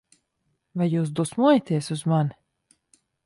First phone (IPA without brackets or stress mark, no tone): v